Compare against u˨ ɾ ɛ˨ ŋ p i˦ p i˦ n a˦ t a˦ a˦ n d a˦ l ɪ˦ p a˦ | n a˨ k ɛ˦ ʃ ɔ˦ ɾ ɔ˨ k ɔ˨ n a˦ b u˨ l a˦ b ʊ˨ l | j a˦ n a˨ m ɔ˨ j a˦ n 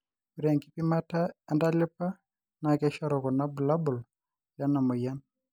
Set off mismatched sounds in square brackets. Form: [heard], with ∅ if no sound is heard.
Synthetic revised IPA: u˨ ɾ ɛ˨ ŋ [k] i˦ p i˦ [m] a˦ t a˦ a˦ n d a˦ l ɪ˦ p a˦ | n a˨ k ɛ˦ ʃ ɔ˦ ɾ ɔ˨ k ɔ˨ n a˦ b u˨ l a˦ b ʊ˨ l | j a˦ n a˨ m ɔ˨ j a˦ n